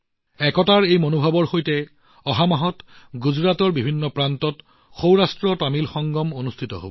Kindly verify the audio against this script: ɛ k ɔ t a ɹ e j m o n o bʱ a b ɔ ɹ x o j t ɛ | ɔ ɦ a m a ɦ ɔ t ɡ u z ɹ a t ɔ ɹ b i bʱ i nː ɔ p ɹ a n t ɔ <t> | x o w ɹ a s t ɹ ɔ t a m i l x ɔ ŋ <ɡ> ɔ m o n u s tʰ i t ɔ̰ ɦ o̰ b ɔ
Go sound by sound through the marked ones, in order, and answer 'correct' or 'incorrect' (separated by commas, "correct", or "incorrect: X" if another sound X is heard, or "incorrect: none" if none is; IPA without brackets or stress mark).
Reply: correct, correct